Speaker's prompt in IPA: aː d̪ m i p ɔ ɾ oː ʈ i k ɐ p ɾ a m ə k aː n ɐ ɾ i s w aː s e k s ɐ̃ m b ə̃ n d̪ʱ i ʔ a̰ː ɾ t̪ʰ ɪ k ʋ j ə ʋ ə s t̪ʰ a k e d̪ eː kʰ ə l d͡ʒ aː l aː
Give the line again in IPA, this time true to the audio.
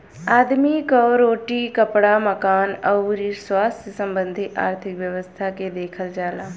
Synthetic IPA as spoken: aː d̪ m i k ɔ ɾ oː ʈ i k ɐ p ɽ a m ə k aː n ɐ ɾ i s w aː s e s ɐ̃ m b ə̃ n d̪ʱ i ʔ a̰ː ɾ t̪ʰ ɪ k ʋ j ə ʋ ə s t̪ʰ a k e d̪ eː kʰ ə l d͡ʒ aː l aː